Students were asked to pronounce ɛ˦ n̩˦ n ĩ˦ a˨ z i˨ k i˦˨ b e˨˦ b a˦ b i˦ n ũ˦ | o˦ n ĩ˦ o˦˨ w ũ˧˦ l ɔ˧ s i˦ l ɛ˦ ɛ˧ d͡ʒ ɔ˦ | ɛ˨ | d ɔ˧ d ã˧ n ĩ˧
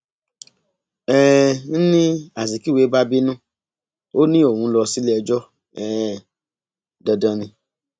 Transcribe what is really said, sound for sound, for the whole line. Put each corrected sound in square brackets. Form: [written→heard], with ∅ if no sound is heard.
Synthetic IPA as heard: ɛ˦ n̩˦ n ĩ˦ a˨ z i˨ k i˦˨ [b→w] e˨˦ b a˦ b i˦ n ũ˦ | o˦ n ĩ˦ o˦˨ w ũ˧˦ l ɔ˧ s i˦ l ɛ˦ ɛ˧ d͡ʒ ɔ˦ | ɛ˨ | d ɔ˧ d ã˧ n ĩ˧